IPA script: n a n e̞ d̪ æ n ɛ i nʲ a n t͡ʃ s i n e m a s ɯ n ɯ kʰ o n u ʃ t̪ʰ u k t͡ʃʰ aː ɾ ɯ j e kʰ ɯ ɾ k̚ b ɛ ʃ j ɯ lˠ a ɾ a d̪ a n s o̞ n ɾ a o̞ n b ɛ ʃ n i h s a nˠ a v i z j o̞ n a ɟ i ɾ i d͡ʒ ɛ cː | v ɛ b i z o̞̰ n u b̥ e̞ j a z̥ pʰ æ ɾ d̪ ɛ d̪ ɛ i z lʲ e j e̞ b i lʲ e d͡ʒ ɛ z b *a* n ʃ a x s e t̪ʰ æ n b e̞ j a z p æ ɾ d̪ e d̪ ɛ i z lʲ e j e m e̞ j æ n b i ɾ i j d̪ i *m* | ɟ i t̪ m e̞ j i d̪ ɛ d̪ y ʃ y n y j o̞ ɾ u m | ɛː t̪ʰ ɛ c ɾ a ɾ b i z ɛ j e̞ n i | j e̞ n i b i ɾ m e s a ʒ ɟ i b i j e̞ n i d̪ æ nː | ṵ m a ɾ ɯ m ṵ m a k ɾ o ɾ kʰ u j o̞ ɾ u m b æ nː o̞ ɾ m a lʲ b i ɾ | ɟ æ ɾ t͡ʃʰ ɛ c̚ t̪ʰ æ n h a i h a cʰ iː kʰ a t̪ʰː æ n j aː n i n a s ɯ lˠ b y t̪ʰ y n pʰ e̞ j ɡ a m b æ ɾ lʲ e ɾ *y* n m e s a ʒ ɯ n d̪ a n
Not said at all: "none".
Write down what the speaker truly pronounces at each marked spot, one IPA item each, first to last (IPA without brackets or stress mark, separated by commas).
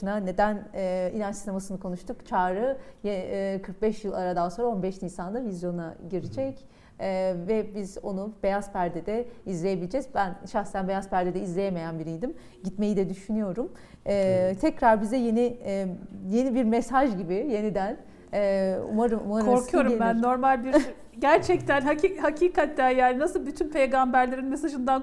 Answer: æ, m, i